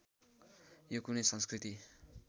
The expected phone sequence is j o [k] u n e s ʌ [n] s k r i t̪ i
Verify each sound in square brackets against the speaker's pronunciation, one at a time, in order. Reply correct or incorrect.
correct, correct

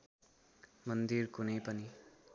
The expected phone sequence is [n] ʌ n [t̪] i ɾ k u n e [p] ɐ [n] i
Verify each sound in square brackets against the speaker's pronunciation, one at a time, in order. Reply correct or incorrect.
incorrect, incorrect, correct, correct

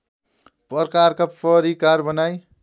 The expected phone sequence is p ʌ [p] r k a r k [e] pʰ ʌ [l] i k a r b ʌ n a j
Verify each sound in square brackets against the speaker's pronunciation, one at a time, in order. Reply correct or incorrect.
incorrect, incorrect, incorrect

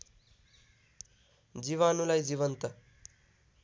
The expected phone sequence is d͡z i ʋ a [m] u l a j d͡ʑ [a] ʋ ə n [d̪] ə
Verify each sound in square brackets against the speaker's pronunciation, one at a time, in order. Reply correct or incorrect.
incorrect, incorrect, incorrect

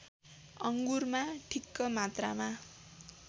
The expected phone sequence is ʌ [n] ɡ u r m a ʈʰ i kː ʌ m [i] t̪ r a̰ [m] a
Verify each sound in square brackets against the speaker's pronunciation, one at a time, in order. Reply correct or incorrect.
incorrect, incorrect, correct

